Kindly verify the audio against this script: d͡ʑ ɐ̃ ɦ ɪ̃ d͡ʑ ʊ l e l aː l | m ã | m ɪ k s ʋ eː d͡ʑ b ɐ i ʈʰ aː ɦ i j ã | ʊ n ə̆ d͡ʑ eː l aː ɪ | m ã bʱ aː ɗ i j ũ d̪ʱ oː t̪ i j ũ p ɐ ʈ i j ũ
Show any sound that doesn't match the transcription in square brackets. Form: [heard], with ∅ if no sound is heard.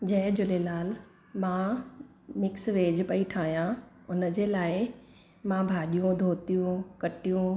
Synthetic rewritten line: d͡ʑ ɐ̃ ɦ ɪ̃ d͡ʑ ʊ l e l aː l | m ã | m ɪ k s ʋ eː d͡ʑ [p] ɐ i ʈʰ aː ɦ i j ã | ʊ n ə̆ d͡ʑ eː l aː ɪ | m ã bʱ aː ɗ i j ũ d̪ʱ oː t̪ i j ũ [k] ɐ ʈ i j ũ